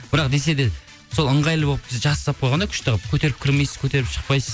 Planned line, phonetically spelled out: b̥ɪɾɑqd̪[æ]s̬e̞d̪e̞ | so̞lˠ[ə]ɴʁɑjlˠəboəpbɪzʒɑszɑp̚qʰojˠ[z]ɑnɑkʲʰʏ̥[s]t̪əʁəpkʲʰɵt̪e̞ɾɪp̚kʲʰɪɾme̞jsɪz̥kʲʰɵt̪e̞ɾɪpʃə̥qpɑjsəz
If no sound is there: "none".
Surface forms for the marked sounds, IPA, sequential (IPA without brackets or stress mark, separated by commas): e, ə, ʁ, ʃ